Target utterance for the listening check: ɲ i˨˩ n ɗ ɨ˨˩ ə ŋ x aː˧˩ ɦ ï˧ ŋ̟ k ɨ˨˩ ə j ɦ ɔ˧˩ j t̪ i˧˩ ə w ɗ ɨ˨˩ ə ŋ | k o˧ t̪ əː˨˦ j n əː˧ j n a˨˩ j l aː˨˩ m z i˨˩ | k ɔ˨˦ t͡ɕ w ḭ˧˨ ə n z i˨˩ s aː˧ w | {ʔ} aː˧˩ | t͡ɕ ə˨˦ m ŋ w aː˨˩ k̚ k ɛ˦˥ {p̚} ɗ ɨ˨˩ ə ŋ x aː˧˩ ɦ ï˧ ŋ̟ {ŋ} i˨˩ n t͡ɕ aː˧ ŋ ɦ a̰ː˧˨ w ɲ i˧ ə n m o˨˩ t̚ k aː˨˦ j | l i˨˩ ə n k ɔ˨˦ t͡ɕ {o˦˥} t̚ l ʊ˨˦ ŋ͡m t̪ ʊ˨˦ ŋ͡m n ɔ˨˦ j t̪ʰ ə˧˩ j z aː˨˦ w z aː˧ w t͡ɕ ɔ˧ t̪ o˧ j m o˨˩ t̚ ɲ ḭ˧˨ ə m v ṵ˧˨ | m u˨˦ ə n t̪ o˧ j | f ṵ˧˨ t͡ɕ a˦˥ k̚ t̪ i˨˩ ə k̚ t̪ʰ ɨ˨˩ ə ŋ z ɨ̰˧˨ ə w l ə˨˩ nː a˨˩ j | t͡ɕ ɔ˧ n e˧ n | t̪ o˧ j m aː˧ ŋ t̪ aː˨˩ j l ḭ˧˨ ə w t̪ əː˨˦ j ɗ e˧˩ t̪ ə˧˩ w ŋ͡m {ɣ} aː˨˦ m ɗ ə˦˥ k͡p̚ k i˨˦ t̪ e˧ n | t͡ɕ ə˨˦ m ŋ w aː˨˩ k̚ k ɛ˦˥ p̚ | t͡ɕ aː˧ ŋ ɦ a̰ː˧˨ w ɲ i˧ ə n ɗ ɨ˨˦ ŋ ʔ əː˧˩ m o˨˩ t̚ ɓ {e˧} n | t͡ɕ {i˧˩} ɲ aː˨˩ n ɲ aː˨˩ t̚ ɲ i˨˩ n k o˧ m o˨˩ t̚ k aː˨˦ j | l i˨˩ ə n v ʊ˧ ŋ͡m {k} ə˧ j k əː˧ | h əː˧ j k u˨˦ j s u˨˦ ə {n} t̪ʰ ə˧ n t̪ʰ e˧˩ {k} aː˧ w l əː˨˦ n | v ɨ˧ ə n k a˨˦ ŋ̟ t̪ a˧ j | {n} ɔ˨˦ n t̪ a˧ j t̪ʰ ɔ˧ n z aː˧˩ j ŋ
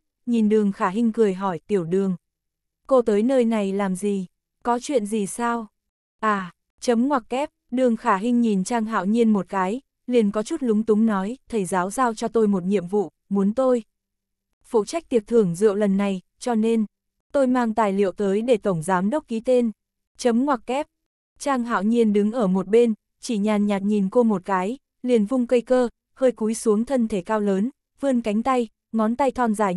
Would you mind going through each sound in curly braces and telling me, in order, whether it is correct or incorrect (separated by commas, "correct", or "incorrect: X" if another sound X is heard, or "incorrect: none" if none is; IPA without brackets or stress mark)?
correct, correct, incorrect: ɲ, incorrect: u˦˥, incorrect: z, correct, correct, correct, incorrect: ŋ, correct, incorrect: ŋ